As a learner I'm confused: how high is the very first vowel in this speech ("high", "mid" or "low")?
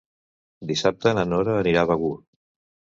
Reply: high